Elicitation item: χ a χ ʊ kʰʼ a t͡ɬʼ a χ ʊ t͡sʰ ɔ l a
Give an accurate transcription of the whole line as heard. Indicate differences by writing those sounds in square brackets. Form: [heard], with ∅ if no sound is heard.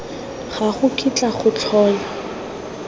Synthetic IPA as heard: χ a χ ʊ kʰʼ [i] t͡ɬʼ a χ ʊ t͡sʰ [ɔː] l a